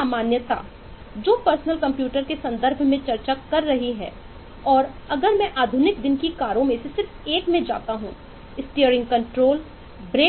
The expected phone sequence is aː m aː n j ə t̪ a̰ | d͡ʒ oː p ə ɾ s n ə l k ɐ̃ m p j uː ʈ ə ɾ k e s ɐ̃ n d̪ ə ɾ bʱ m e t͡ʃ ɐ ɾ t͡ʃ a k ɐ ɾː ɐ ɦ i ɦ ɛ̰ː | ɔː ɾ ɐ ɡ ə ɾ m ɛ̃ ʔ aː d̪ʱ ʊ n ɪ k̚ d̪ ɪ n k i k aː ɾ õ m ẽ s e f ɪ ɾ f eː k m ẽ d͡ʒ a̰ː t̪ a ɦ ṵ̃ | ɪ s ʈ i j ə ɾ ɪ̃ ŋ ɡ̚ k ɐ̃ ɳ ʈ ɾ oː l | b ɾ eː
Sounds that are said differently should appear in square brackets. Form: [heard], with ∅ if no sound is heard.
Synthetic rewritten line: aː m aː n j ə t̪ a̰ | d͡ʒ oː p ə ɾ s n ə l k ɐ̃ m p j uː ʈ ə ɾ k e s ɐ̃ n d̪ ə ɾ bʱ m [ẽ] t͡ʃ ɐ ɾ t͡ʃ a k ɐ ɾː ɐ ɦ i ɦ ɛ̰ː | ɔː ɾ ɐ ɡ ə ɾ m ɛ̃ ʔ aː d̪ʱ ʊ n ɪ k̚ d̪ ɪ n k i k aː ɾ õ m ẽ s e [s] ɪ ɾ f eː k m ẽ d͡ʒ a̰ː t̪ a ɦ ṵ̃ | ɪ s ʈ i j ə ɾ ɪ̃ ŋ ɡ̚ k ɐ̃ ɳ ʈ ɾ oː l | b ɾ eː